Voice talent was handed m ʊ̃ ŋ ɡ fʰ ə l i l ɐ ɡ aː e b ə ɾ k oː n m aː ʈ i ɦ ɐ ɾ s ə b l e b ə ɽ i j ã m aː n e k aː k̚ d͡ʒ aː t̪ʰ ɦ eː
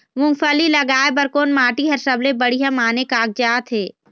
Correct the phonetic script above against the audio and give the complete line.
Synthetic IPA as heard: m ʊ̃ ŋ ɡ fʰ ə l i l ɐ ɡ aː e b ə ɾ k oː n m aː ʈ i ɦ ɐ ɾ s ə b l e b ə ɽ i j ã m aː n e k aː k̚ d͡ʒ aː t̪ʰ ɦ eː